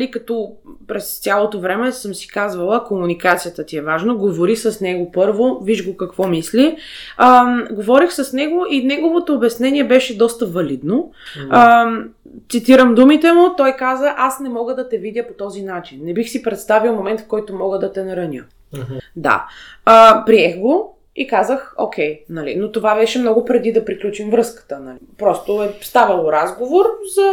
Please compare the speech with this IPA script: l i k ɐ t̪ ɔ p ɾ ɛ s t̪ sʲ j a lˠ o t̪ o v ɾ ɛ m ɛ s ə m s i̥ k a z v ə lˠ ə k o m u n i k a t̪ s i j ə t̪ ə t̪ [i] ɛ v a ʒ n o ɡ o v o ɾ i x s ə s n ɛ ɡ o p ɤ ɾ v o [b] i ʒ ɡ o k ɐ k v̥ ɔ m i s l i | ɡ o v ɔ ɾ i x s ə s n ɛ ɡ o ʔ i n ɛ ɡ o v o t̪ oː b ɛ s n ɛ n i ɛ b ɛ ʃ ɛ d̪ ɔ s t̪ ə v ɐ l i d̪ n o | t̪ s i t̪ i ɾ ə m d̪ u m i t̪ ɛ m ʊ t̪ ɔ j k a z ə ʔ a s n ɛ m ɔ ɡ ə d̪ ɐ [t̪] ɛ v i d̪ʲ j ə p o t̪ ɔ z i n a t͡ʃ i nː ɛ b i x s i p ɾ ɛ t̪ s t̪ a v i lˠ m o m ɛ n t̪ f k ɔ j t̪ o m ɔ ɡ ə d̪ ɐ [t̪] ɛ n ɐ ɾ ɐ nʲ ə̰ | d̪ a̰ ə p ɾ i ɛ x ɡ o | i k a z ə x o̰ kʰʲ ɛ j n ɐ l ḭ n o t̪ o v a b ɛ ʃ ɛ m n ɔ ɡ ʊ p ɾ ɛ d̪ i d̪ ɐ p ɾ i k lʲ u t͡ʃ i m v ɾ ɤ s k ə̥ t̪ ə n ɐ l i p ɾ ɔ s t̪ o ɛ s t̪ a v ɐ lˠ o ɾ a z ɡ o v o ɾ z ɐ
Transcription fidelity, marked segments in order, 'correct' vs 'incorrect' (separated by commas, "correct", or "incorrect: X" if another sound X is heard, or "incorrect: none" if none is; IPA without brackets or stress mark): correct, incorrect: v, correct, correct